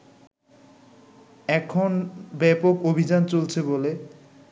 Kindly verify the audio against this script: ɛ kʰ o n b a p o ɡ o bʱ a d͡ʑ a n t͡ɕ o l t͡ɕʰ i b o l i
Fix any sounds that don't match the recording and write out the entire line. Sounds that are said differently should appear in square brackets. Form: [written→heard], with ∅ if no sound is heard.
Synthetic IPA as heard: ɛ kʰ o n b [a→ɛ] p o [ɡ→k] o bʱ [a→i] d͡ʑ a n t͡ɕ o l t͡ɕʰ [i→e] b o l [i→e]

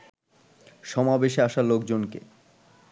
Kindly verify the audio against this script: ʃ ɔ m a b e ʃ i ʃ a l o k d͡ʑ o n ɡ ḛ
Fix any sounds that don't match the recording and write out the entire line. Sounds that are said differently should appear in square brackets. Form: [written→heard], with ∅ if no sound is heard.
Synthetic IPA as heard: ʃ ɔ m a b e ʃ [i→a] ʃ a l o k d͡ʑ o n [ɡ→k] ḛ

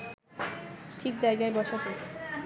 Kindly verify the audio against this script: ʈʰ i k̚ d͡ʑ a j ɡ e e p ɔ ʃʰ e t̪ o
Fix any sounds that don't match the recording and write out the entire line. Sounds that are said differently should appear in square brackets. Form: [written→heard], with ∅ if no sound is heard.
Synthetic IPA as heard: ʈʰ i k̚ d͡ʑ a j ɡ [e→a] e [p→b] ɔ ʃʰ [e→a] t̪ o

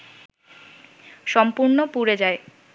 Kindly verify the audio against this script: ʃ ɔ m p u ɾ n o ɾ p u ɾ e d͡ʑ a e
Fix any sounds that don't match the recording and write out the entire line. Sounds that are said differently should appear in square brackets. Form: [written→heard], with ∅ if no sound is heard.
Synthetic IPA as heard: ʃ ɔ m p u ɾ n o [ɾ→∅] p u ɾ e d͡ʑ a e

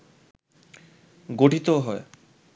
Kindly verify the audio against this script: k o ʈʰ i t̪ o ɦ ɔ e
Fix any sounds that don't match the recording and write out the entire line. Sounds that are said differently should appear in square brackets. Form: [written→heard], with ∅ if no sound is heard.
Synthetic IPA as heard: [k→ɡ] o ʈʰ i t̪ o ɦ ɔ e

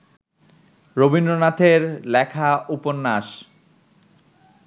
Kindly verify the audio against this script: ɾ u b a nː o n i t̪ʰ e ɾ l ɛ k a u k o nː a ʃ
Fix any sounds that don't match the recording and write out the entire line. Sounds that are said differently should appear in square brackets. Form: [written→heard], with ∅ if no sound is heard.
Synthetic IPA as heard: ɾ [u→o] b [a→i] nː o n [i→a] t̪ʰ e ɾ l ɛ [k→kʰ] a u [k→p] o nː a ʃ

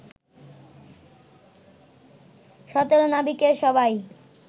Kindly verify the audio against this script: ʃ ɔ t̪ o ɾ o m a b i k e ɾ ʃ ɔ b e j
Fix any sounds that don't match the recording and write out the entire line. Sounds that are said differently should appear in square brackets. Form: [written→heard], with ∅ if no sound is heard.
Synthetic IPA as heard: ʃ ɔ t̪ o ɾ o [m→n] a b i k e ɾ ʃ ɔ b [e→a] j

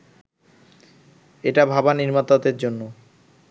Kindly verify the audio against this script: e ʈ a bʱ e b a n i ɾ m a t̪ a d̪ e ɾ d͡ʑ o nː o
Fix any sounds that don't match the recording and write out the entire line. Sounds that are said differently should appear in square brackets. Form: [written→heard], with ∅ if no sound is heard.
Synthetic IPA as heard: e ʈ a bʱ [e→a] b a n i ɾ m a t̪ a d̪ e ɾ d͡ʑ o nː o

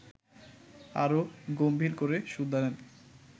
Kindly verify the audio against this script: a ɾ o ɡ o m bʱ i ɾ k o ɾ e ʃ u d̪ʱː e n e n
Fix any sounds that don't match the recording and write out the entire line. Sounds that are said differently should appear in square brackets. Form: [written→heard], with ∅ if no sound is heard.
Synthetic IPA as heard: a ɾ o ɡ o m bʱ i ɾ k o ɾ e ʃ u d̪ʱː [e→a] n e n

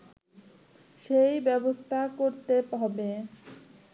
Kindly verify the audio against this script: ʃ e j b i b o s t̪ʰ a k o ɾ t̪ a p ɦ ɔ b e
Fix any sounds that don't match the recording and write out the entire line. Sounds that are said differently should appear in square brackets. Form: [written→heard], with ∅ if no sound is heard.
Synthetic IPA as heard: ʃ e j b [i→ɛ] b o s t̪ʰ a k o ɾ t̪ [a→e] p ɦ ɔ b e

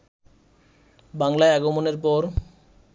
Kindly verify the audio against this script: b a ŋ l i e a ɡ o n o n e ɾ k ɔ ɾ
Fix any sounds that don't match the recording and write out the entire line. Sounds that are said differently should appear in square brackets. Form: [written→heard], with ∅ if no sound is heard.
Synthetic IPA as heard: b a ŋ l [i→a] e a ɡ o [n→m] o n e ɾ [k→p] ɔ ɾ

